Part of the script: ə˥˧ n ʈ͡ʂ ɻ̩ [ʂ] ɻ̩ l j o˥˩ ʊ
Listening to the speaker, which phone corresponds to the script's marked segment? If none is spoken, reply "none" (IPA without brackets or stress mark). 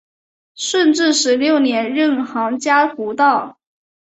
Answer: ʂ